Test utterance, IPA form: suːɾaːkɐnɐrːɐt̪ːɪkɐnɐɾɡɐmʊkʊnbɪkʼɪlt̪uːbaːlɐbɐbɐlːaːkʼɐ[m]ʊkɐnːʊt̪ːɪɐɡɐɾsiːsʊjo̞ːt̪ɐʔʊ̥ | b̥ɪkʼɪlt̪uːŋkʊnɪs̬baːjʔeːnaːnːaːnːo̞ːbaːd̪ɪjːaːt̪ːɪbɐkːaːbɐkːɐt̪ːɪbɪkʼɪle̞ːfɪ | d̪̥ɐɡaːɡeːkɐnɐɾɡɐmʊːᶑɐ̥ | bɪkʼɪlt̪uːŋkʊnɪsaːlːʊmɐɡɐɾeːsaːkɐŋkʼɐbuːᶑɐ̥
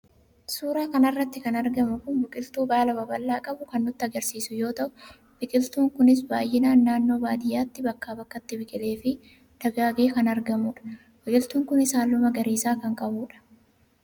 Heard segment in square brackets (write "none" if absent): b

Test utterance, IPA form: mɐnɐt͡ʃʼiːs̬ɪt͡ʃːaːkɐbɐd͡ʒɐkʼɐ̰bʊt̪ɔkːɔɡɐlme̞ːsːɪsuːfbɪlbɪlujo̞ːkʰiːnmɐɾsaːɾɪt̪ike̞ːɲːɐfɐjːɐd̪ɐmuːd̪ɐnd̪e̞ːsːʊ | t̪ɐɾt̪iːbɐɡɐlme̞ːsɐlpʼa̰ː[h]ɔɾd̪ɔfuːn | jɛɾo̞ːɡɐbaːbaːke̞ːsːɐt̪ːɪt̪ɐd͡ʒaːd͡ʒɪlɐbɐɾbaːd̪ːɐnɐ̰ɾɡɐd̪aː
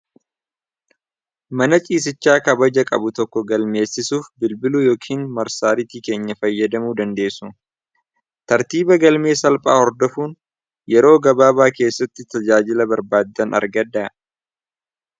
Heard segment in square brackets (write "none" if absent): h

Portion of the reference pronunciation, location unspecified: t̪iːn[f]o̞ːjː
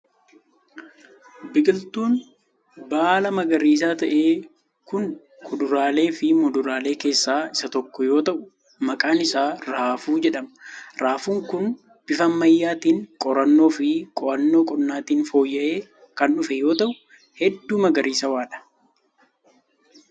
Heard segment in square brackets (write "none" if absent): f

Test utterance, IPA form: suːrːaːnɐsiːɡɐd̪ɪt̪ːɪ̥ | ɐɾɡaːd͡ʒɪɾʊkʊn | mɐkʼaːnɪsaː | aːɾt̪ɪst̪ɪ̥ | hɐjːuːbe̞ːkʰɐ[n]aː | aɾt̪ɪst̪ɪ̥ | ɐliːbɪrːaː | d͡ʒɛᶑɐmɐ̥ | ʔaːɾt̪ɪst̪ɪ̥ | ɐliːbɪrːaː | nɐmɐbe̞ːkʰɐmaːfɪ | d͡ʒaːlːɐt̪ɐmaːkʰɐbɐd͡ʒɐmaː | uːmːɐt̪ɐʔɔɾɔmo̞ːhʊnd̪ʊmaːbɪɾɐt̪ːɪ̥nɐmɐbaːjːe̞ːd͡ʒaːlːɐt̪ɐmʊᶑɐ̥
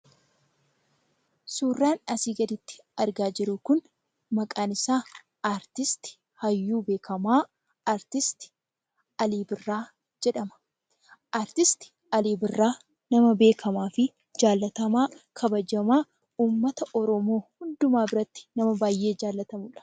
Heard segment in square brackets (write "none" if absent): m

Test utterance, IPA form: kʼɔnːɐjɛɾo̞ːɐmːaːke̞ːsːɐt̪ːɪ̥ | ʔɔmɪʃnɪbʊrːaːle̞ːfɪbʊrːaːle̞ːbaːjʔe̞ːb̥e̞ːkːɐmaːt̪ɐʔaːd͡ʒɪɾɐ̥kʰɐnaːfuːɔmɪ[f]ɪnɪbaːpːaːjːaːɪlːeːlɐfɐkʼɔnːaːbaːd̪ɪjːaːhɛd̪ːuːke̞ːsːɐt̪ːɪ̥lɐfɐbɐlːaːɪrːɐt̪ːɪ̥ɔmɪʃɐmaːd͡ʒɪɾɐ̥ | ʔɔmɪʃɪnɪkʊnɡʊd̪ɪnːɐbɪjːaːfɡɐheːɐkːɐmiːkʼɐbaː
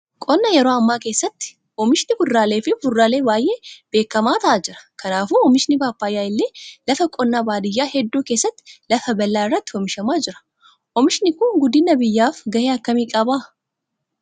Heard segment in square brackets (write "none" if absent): ʃ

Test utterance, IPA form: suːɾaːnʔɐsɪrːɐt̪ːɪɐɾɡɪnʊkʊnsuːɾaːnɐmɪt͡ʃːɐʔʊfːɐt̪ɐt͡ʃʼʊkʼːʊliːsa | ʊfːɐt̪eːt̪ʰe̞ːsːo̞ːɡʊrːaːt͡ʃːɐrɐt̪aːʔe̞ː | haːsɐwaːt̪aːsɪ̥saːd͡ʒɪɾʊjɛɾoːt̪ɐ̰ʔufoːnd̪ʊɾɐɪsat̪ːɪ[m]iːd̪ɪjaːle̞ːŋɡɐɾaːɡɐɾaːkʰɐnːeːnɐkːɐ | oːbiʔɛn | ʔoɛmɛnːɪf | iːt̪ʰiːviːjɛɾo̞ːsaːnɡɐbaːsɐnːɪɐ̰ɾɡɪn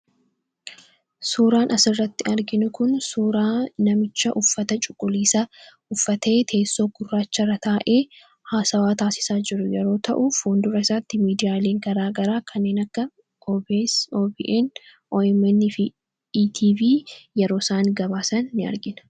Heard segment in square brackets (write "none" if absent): m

